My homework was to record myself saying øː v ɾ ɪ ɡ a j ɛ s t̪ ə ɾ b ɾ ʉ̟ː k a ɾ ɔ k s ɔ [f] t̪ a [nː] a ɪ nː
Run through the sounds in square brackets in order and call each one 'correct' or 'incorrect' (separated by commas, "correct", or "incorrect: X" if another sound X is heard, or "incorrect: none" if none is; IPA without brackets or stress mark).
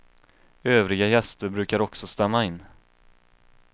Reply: incorrect: s, incorrect: mː